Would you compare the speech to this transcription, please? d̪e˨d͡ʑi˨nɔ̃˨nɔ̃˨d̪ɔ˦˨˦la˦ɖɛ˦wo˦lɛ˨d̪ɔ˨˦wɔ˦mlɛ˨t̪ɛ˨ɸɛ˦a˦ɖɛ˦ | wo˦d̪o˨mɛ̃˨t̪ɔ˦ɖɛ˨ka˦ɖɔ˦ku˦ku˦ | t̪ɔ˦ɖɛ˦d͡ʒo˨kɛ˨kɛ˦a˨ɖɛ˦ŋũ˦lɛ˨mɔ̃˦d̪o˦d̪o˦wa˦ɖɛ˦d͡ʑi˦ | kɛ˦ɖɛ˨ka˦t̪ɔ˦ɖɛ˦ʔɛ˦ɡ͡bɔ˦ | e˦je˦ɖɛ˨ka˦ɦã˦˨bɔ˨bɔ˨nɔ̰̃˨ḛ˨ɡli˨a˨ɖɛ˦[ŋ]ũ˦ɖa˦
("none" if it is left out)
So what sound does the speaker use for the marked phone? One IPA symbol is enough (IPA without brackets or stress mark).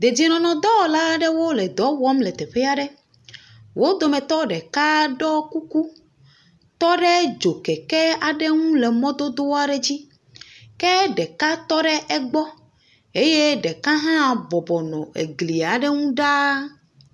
ŋ